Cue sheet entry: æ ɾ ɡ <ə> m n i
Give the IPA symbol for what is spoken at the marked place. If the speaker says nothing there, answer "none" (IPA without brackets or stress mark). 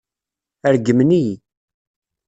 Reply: ə